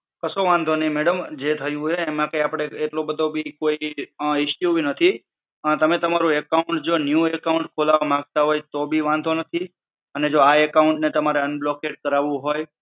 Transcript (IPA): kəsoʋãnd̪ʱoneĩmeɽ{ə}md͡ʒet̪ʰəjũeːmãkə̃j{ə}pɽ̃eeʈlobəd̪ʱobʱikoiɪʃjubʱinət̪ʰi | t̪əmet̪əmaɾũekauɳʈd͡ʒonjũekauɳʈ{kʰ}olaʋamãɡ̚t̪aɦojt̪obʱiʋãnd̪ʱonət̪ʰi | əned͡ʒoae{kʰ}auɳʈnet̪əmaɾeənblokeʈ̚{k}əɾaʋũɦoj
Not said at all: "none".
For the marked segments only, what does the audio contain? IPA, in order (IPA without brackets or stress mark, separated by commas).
ə, a, kʰ, k, k